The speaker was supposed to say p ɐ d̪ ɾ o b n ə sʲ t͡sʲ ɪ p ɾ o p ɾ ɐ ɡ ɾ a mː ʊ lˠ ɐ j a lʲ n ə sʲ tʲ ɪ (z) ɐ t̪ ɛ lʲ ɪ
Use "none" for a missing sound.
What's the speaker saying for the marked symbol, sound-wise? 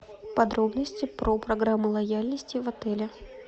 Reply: v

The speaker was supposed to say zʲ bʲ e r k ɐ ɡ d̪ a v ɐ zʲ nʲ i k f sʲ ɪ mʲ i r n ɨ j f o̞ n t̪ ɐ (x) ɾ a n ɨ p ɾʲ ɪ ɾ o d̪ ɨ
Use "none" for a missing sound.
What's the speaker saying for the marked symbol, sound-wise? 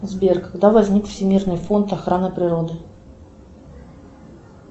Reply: x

